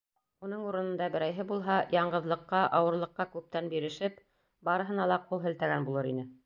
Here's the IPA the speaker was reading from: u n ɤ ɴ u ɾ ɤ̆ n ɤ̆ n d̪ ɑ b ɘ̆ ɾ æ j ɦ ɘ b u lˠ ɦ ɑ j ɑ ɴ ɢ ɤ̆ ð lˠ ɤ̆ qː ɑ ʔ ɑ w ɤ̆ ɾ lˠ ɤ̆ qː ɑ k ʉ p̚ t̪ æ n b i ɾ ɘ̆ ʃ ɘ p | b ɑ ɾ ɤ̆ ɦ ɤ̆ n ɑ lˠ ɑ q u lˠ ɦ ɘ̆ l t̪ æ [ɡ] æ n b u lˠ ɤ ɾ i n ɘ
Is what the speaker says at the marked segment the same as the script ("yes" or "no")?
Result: yes